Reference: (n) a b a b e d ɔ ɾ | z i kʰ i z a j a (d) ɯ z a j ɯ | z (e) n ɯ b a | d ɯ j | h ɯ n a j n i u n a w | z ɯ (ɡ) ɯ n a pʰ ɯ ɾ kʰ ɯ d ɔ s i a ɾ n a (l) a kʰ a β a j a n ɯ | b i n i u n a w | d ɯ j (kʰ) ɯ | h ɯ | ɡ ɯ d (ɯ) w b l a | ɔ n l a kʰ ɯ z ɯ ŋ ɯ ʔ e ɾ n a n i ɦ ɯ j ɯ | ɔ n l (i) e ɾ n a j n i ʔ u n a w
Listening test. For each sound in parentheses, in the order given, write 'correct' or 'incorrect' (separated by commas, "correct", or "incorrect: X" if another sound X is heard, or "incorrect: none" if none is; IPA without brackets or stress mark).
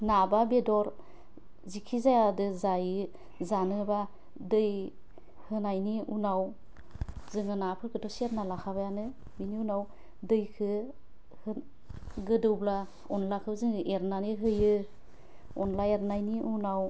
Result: correct, correct, incorrect: a, incorrect: ŋ, correct, correct, correct, incorrect: a